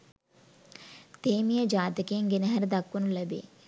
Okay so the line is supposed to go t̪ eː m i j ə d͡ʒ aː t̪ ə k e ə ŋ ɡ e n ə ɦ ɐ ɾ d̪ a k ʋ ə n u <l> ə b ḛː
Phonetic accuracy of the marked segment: correct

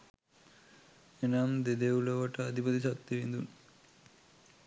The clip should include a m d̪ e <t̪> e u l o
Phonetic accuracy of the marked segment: incorrect: d̪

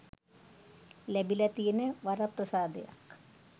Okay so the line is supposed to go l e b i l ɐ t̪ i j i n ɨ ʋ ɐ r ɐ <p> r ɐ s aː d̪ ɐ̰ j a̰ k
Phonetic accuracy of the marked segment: correct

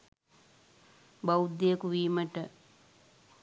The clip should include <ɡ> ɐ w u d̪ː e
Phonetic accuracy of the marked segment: incorrect: b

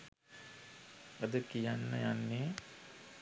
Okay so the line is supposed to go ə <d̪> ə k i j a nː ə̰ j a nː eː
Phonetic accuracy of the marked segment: correct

